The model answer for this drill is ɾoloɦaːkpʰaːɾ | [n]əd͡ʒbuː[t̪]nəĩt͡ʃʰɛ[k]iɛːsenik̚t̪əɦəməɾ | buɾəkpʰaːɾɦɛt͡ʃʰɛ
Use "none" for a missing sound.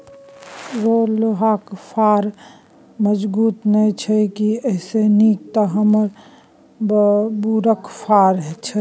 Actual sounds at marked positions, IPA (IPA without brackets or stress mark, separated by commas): m, t̪, k